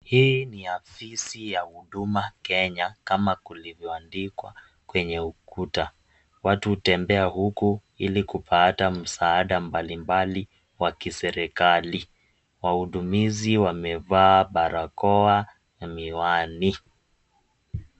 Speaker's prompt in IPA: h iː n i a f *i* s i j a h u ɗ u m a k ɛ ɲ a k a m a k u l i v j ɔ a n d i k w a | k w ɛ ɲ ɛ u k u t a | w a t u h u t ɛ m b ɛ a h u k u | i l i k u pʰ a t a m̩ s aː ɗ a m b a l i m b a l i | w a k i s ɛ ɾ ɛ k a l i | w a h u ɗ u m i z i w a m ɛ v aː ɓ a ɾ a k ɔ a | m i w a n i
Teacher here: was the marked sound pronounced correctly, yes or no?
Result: yes